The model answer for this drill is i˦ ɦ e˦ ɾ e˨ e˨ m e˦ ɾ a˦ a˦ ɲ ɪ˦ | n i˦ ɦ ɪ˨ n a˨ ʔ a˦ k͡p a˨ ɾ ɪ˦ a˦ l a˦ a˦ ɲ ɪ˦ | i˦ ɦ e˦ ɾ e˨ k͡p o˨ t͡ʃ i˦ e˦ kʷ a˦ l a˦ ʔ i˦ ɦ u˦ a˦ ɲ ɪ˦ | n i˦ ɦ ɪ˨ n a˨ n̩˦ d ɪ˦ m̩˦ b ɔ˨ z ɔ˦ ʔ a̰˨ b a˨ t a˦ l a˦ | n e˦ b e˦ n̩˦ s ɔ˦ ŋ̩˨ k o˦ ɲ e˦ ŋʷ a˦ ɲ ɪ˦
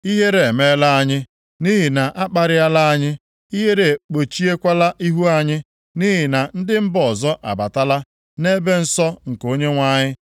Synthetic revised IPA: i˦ ɦ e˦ ɾ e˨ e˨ m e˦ l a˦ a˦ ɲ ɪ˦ | n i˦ ɦ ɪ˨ n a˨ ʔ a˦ k͡p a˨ ɾ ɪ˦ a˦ l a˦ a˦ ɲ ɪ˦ | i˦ ɦ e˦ ɾ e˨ k͡p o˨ t͡ʃ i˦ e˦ kʷ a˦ l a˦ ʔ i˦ ɦ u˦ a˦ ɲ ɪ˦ | n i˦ ɦ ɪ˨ n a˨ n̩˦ d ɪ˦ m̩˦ b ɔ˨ z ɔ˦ ʔ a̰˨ b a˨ t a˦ l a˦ | n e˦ b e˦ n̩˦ s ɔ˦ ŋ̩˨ k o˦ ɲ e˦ ŋʷ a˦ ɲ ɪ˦

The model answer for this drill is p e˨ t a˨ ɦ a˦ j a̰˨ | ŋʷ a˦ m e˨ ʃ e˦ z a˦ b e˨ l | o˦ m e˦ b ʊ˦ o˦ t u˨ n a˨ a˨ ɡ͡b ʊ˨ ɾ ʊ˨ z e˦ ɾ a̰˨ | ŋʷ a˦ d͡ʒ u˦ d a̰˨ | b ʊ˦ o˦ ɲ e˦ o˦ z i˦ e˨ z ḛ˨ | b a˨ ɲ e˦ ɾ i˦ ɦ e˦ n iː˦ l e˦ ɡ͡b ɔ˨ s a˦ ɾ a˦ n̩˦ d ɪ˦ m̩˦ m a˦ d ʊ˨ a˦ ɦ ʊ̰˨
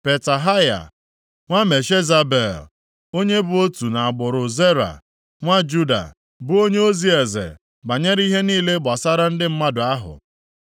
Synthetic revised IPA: p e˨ t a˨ ɦ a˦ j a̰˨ | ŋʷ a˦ m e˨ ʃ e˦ z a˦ b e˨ l | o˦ ɲ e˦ b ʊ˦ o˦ t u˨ n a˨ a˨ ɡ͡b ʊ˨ ɾ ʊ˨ z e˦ ɾ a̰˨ | ŋʷ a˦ d͡ʒ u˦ d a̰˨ | b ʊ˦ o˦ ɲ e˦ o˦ z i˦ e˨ z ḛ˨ | b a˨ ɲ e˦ ɾ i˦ ɦ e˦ n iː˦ l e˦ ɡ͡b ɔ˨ s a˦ ɾ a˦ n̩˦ d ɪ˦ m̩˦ m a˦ d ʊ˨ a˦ ɦ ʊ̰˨

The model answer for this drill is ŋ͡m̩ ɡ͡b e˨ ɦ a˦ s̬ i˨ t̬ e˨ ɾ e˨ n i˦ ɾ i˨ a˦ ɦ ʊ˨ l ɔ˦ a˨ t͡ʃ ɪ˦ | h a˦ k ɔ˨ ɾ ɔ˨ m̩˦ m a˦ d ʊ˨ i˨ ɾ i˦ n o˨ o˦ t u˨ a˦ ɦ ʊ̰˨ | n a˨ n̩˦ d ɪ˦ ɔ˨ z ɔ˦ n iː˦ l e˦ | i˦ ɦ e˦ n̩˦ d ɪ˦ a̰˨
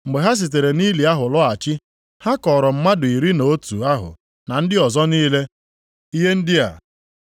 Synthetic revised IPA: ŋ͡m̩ ɡ͡b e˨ ɦ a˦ s̬ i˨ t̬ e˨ ɾ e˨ n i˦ l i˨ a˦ ɦ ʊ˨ l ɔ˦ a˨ t͡ʃ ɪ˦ | h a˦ k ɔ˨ ɾ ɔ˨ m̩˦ m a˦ d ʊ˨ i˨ ɾ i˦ n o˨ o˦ t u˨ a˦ ɦ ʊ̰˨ | n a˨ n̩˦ d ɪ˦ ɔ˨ z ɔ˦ n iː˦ l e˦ | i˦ ɦ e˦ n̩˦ d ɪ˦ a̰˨

